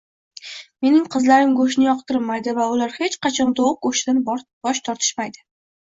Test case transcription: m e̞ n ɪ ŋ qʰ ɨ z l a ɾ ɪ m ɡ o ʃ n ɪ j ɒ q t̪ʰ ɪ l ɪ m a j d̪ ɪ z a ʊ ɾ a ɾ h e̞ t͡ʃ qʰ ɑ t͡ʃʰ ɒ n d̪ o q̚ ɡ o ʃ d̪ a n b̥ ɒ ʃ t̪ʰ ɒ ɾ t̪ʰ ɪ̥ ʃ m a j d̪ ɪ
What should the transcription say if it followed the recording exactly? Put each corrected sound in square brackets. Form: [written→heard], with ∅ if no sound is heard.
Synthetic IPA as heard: m e̞ n ɪ ŋ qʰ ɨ z l a ɾ ɪ m ɡ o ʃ n ɪ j ɒ q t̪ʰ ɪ [l→ɾ] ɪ m a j d̪ ɪ [z→v] a ʊ [ɾ→l] a ɾ h e̞ t͡ʃ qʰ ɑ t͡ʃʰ ɒ n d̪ o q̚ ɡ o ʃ d̪ a n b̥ ɒ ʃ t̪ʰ ɒ ɾ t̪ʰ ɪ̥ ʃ m a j d̪ ɪ